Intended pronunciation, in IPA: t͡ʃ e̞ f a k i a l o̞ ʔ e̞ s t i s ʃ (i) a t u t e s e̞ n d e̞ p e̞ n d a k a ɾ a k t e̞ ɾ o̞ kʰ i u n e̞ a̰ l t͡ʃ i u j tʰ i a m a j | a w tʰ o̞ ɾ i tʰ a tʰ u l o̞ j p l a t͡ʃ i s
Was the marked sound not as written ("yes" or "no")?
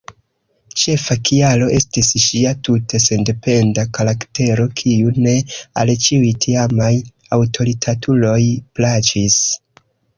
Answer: no